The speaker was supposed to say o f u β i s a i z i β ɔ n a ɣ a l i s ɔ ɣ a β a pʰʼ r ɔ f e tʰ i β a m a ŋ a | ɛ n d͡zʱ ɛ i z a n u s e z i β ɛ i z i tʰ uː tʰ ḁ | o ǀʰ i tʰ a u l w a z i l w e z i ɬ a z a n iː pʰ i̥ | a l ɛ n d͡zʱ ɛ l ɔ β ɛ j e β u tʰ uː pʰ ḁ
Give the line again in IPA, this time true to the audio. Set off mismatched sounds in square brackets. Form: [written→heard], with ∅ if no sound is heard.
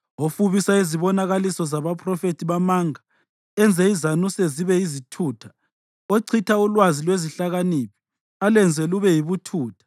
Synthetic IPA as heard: o f u β i s a i z i β ɔ n a ɣ a l i s ɔ [ɣ→z] a β a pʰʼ r ɔ f e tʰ i β a m a ŋ a | ɛ n d͡zʱ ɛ i z a n u s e z i β ɛ i z i tʰ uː tʰ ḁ | o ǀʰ i tʰ a u l w a z i l w e z i ɬ a [z→ɣ] a n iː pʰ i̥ | a l ɛ n d͡zʱ ɛ l [ɔ→u] β ɛ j [e→i] β u tʰ uː [pʰ→tʰ] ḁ